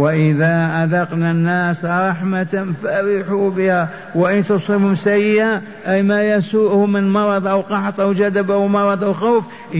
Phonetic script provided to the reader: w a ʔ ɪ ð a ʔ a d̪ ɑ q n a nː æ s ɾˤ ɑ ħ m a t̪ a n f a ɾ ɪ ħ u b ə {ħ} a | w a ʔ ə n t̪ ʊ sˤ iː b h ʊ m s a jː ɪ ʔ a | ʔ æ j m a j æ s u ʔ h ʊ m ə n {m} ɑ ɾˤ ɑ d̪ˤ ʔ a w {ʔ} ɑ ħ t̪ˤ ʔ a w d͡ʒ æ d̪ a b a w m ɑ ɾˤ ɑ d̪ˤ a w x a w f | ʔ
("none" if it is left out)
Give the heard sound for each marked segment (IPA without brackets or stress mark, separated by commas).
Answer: h, m, q